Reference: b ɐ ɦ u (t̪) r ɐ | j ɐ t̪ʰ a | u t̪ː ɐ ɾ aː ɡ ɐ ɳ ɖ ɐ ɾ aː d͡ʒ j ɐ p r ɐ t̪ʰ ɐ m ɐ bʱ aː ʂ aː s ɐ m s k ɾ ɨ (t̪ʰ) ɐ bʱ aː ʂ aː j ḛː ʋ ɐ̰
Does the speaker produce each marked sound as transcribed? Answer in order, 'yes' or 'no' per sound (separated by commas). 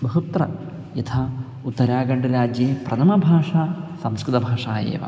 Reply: yes, no